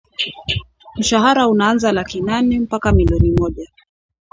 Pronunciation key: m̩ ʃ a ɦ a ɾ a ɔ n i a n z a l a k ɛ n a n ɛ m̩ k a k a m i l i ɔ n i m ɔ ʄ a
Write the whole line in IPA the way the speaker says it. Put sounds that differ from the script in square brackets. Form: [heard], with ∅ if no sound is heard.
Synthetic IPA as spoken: m̩ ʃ a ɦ a ɾ a [u] n [a] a n z a l a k [i] n a n ɛ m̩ [p] a k a m i l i ɔ n i m ɔ ʄ a